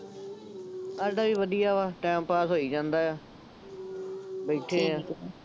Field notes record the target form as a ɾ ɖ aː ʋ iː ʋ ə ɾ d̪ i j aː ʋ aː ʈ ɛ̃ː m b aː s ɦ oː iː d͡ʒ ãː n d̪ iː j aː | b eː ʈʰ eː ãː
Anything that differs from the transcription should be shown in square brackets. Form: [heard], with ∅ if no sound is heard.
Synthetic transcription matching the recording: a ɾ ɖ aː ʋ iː ʋ ə [∅] d̪ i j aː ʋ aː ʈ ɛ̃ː m [p] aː s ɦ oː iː d͡ʒ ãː n d̪ [aː] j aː | b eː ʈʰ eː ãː